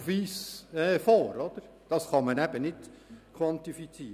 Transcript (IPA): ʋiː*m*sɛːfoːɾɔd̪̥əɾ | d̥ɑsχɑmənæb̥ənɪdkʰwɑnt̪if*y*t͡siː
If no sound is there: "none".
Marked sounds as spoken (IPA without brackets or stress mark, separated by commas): none, i